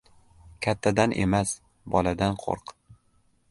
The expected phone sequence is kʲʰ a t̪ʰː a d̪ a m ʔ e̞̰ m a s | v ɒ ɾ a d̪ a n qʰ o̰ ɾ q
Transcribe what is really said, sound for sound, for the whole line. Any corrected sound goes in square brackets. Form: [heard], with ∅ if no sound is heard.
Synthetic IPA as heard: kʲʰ a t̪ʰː a d̪ a [n] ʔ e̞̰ m a s | [b] ɒ [l] a d̪ a n qʰ o̰ ɾ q